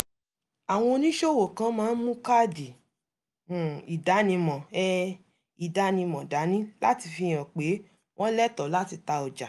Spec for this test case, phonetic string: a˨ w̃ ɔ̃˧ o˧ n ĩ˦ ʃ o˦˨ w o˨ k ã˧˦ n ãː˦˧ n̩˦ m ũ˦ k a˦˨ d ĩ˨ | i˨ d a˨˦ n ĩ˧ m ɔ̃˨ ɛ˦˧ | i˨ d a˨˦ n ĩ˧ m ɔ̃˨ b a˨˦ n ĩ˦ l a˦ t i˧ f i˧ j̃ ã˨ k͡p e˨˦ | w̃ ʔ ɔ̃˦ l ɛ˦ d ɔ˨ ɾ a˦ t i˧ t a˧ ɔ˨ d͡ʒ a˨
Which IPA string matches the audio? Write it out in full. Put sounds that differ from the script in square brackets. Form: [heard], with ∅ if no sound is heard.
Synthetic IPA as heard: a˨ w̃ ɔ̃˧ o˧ n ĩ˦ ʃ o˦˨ w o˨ k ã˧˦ [m] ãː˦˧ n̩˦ m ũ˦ k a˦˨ d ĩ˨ | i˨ d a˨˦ n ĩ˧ m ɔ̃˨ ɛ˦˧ | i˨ d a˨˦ n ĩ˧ m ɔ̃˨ [d] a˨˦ n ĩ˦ l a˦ t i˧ f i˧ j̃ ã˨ k͡p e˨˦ | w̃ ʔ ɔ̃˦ l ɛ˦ [t] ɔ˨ [l] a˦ t i˧ t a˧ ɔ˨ d͡ʒ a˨